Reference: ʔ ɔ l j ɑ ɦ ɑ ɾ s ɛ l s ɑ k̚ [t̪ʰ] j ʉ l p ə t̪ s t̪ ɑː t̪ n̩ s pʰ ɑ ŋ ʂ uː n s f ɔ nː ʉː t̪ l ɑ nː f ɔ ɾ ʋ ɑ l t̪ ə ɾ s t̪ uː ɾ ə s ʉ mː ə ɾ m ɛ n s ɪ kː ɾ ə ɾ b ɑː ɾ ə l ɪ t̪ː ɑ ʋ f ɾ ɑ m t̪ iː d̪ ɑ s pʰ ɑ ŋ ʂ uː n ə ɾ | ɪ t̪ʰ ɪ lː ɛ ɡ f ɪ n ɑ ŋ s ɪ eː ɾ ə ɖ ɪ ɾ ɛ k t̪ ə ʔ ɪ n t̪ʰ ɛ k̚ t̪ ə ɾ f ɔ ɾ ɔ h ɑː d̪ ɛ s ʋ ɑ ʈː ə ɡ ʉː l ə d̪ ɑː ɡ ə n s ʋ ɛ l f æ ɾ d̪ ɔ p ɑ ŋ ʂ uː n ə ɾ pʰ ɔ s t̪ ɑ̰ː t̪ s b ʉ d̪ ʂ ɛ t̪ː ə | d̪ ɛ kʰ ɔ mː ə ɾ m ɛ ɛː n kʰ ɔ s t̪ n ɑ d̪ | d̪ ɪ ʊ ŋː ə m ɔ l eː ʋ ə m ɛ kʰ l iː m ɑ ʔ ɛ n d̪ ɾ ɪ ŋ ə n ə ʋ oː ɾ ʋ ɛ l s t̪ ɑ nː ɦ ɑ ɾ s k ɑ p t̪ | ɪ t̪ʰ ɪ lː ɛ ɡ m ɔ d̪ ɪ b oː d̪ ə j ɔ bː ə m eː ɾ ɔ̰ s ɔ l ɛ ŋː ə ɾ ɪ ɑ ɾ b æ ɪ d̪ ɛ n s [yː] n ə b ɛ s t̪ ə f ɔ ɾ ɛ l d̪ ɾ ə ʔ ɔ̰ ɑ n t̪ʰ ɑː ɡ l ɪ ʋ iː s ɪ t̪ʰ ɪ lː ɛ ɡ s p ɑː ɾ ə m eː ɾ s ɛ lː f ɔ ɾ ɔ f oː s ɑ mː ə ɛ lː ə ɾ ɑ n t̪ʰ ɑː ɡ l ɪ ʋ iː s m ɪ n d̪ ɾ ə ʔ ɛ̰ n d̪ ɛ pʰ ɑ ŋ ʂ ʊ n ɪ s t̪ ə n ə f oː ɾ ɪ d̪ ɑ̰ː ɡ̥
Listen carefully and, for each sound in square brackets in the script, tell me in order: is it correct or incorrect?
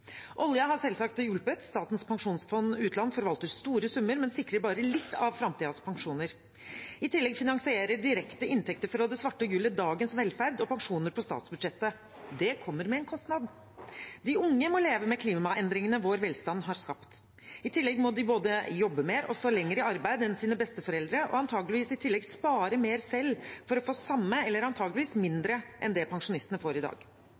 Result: incorrect, incorrect

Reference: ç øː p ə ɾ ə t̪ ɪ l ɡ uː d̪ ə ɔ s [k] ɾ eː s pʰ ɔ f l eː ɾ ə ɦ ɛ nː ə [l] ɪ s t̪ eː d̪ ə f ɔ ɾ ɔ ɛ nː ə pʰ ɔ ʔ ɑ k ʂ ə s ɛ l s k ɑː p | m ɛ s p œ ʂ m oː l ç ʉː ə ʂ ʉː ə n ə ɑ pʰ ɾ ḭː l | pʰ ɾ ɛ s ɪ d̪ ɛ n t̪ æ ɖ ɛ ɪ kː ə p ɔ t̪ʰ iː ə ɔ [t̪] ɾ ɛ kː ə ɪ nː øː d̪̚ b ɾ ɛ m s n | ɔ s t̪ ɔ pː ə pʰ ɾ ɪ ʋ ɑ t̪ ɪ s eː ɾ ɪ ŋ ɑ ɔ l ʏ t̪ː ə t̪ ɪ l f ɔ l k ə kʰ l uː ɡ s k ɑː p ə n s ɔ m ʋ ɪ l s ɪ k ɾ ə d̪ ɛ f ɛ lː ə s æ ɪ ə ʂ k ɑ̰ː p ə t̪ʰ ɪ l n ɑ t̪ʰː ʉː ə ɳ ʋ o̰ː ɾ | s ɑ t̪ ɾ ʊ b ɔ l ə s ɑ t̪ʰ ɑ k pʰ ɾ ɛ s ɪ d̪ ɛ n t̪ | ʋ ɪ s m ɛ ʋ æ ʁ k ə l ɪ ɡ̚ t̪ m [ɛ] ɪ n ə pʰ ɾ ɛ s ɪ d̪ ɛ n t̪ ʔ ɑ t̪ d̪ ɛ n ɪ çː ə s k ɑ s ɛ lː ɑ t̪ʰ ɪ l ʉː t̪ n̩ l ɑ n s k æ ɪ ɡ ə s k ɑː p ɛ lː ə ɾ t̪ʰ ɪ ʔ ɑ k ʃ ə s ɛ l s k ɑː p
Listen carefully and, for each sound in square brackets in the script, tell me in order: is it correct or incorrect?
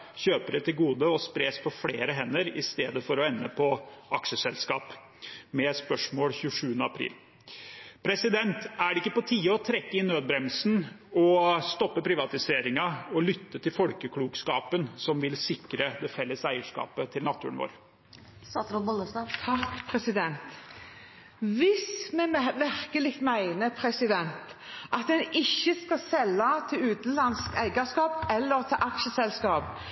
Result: incorrect, incorrect, incorrect, incorrect

